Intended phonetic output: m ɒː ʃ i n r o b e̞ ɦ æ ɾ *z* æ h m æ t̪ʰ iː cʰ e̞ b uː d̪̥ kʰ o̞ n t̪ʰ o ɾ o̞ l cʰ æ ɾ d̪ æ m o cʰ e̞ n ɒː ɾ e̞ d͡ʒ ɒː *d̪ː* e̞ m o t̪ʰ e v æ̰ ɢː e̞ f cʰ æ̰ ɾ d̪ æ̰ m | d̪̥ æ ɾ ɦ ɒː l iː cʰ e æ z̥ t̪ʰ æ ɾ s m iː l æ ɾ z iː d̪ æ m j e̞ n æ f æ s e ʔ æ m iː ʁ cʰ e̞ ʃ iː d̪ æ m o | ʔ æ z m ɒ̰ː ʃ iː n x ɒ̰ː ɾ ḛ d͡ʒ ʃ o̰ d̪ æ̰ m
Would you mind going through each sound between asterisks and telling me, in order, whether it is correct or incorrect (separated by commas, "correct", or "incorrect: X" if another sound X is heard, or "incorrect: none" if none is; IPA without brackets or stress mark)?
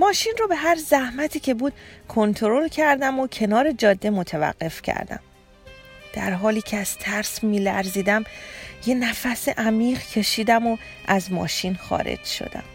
correct, correct